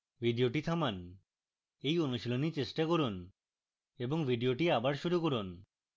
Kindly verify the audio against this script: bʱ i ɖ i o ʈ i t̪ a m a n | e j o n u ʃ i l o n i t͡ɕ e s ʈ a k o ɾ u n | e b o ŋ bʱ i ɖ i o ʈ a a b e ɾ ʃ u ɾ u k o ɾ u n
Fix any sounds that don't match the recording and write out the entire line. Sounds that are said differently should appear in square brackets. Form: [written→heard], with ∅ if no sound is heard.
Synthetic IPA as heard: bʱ i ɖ i o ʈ i [t̪→t̪ʰ] a m a n | e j o n u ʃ i l o n i t͡ɕ e s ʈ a k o ɾ u n | e b o ŋ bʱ i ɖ i o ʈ [a→i] a b [e→a] ɾ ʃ u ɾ u k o ɾ u n

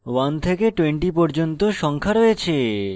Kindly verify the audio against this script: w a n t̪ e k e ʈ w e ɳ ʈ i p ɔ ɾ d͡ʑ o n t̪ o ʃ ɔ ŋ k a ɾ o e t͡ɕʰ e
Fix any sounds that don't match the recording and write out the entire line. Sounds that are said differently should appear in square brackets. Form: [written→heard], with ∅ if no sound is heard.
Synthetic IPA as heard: w a n [t̪→t̪ʰ] e k e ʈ w e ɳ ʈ i p ɔ ɾ d͡ʑ o n t̪ o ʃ ɔ ŋ [k→kʰ] a ɾ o e t͡ɕʰ e

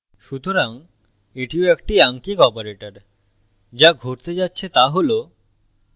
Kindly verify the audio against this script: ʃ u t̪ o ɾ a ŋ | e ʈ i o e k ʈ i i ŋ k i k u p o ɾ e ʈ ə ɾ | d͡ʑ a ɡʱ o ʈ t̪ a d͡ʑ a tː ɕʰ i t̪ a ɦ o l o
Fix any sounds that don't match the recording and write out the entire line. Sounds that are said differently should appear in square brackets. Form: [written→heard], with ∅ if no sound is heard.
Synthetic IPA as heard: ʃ u t̪ o ɾ a ŋ | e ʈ i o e k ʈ i [i→a] ŋ k i k [u→ɔ] p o ɾ e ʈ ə ɾ | d͡ʑ a ɡʱ o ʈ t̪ [a→e] d͡ʑ a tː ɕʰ [i→e] t̪ a ɦ o l o

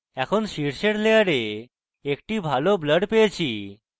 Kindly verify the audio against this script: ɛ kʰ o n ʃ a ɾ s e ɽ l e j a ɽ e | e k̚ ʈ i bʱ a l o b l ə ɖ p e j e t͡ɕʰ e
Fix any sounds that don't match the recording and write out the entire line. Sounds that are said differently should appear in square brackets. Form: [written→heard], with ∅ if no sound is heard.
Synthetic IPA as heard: ɛ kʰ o n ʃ [a→i] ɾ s e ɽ l e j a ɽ e | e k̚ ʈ i bʱ a l o b l ə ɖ p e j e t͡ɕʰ [e→i]

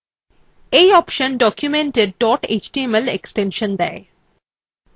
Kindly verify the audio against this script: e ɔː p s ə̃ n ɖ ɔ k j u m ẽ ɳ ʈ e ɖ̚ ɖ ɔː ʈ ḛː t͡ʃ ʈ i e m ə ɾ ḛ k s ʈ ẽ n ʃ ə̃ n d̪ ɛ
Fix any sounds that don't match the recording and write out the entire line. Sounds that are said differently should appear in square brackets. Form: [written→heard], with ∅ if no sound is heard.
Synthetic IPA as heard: e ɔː p [s→ʃ] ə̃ n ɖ ɔ k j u m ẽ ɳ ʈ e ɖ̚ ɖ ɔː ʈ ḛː t͡ʃ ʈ i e m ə [ɾ→l] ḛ k s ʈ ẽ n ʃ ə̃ n d̪ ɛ

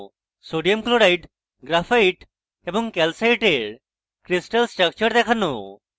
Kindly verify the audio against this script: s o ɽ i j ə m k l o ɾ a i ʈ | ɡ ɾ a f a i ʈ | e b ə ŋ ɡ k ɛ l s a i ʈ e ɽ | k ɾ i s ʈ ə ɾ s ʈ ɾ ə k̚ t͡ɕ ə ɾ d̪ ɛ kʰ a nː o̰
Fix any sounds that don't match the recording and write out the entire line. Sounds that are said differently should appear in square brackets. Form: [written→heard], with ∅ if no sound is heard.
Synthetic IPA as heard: s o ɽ i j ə m k l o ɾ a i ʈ | ɡ ɾ a f a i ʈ | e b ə ŋ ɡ k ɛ l s a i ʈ e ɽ | k ɾ i s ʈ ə [ɾ→l] s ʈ ɾ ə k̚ t͡ɕ ə ɾ d̪ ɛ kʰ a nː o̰

